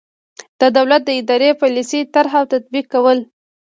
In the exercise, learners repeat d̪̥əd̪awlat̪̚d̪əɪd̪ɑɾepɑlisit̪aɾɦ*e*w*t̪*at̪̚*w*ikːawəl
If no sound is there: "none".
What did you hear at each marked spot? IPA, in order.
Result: a, t̪, b

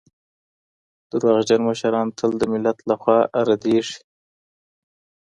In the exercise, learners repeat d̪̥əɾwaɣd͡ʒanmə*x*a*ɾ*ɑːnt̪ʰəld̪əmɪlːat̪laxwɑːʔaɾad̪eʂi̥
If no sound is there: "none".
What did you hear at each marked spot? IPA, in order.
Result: ʃ, ɾ

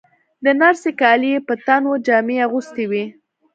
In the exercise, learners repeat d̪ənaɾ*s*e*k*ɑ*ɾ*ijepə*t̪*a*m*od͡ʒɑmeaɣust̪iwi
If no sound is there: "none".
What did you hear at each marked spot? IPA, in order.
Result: s, k, l, t̪, n

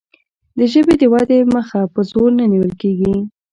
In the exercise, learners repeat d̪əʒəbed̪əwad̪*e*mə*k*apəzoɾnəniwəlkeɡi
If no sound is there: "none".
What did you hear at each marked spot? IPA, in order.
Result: e, x

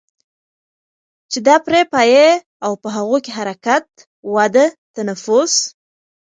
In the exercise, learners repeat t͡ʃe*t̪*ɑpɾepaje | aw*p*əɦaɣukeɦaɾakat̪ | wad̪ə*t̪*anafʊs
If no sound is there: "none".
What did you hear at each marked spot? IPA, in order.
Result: d̪, p, t̪

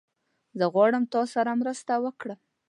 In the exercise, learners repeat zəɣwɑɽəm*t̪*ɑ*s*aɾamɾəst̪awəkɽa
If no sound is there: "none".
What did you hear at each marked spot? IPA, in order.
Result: t̪, s

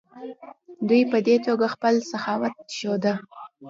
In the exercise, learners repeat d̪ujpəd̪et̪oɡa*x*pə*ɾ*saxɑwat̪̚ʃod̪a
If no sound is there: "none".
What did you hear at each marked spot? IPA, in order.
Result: x, l

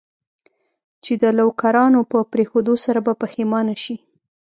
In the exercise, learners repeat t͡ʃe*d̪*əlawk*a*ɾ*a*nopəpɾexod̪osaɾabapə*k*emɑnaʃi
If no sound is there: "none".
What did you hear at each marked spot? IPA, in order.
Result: d̪, a, ɑ, x

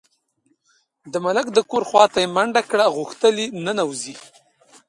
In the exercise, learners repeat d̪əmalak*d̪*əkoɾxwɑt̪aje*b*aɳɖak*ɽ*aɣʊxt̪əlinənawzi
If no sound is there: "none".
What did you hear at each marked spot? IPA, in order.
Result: d̪, m, ɽ

